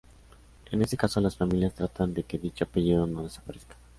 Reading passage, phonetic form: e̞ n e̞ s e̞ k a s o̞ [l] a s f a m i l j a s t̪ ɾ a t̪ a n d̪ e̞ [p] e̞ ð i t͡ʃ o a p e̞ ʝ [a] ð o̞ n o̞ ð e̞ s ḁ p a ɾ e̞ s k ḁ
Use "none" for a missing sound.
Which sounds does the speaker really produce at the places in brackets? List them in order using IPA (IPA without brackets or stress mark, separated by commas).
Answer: l, k, i